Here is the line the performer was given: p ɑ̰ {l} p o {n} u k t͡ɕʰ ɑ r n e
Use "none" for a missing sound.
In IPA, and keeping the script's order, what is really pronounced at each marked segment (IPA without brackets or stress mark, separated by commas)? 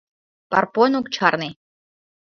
r, n